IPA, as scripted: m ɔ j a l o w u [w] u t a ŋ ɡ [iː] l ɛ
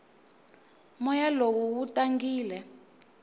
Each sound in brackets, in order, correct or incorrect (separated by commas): correct, correct